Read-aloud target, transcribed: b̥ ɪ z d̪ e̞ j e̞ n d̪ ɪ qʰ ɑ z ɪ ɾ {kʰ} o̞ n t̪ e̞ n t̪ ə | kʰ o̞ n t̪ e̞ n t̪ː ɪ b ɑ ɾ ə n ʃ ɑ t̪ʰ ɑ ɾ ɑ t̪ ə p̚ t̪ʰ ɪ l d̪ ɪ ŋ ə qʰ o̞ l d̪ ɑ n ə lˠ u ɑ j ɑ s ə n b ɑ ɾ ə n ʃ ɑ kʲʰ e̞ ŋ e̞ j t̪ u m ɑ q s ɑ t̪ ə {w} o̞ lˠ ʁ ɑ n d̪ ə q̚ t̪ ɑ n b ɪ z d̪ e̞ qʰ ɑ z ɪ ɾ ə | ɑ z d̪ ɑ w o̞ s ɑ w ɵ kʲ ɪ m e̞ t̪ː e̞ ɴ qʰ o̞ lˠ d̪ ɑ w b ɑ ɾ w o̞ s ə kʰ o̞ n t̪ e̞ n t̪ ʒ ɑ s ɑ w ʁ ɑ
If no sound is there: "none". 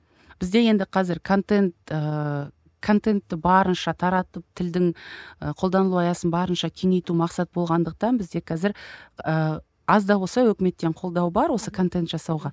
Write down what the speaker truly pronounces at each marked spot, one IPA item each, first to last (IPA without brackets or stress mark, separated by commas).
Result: kʰ, b